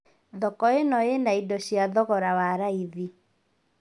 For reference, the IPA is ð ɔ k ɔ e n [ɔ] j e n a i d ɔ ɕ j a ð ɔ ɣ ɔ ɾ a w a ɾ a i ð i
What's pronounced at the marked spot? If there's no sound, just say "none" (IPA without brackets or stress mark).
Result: ɔ